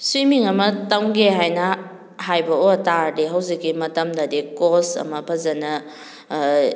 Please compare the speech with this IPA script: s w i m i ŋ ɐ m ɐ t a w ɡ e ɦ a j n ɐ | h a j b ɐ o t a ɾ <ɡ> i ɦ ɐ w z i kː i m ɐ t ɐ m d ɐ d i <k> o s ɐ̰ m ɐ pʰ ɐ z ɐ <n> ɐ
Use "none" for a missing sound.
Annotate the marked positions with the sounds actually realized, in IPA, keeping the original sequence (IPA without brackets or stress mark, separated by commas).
d, k, n